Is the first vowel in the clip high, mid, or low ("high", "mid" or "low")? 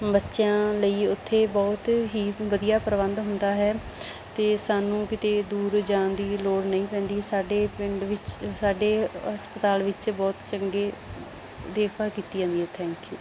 mid